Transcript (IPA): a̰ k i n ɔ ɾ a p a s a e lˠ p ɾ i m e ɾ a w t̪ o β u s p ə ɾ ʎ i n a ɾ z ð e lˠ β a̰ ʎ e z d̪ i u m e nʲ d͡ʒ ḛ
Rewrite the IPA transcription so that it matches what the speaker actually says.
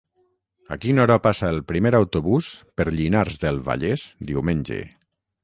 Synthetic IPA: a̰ k i n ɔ ɾ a p a s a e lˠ p ɾ i m e ɾ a w t̪ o β u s p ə ɾ ʎ i n a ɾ z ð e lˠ β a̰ ʎ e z d̪ i w m e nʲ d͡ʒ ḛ